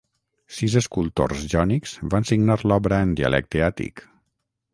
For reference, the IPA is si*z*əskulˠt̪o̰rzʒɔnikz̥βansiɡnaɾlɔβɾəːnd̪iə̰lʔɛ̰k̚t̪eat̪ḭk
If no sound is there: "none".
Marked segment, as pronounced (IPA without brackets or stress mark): z